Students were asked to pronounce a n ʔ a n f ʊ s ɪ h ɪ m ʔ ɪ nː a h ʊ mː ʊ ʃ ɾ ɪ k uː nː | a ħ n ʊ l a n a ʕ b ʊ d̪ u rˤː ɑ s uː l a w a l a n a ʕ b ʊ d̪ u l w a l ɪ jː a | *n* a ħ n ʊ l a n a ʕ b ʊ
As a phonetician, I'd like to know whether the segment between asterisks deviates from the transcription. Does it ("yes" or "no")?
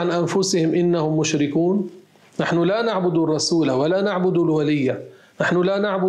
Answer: no